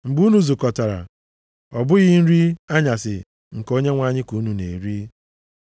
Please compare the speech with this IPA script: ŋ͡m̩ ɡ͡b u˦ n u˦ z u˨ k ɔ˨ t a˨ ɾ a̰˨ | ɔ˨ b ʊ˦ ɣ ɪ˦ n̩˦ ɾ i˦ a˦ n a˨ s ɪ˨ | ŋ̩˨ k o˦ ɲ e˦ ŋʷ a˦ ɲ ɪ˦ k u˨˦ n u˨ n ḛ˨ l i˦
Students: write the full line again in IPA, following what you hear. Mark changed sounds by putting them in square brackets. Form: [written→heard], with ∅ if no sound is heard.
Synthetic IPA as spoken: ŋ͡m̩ ɡ͡b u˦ n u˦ z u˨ k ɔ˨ t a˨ ɾ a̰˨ | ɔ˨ b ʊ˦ ɣ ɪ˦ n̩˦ ɾ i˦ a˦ [n→ɲ] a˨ s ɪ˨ | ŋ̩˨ k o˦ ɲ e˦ ŋʷ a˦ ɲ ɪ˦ k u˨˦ n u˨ n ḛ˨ [l→ɾ] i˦